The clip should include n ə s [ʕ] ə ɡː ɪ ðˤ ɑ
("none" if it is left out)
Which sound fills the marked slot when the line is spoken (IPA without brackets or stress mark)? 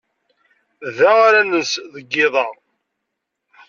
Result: ð